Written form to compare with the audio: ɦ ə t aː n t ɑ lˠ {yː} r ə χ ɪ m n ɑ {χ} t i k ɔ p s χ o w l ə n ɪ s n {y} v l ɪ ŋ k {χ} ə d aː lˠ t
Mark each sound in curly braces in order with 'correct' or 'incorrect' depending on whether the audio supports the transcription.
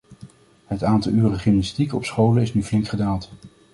correct, incorrect: s, correct, correct

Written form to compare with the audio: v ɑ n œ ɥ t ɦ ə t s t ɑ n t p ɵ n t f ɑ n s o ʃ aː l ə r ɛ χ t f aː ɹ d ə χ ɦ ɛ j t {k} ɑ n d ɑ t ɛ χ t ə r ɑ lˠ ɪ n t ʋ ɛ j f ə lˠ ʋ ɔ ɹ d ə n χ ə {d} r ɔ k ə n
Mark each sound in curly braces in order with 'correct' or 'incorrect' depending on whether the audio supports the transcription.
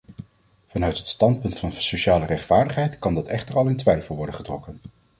correct, incorrect: t

